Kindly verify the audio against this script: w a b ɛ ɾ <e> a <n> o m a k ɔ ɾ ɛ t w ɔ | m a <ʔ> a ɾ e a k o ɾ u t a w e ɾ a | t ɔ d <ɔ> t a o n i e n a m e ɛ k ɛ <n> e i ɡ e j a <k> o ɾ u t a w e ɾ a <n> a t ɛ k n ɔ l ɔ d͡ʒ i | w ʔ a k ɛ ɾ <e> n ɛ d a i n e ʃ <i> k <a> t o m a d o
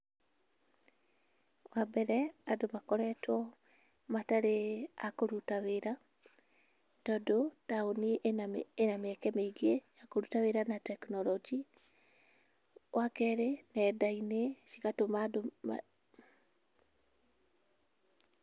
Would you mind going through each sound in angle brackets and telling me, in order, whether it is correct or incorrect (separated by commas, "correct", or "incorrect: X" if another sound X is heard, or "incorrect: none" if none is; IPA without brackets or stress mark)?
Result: incorrect: ɛ, incorrect: d, incorrect: t, incorrect: o, incorrect: m, correct, correct, correct, correct, correct